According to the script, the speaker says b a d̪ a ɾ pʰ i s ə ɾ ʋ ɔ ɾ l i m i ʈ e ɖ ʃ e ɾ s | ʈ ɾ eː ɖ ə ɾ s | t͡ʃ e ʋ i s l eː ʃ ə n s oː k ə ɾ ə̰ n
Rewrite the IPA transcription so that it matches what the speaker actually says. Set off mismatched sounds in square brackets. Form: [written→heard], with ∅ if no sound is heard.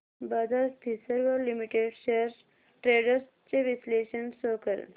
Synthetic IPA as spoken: b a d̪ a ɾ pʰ i s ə ɾ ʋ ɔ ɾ l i m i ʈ e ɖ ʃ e ɾ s | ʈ ɾ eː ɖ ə ɾ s | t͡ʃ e ʋ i s l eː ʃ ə n s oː k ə ɾ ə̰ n